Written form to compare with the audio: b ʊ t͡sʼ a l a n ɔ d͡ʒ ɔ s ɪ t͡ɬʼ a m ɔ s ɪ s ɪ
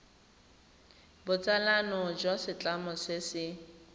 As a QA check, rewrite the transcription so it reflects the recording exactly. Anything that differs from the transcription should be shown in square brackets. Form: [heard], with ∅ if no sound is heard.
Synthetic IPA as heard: b ʊ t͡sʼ a l a n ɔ d͡ʒ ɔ s ɪ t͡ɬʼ a m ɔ s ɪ s ɪ